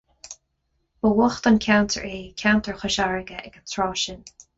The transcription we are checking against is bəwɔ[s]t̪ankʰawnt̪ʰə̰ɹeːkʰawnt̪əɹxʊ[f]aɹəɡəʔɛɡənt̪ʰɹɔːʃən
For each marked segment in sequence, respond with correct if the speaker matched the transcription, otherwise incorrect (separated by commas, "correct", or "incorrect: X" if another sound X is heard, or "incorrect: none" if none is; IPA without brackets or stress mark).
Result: incorrect: x, incorrect: ʃ